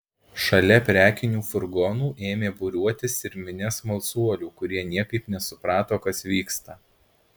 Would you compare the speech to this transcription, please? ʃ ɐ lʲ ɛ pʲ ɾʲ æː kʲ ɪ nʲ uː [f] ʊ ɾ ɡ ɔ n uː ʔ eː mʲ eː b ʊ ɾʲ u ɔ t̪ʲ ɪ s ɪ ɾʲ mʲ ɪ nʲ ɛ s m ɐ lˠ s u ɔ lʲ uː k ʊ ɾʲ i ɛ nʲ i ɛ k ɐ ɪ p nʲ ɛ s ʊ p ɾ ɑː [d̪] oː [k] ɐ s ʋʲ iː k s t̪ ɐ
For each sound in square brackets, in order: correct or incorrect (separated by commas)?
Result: correct, incorrect, correct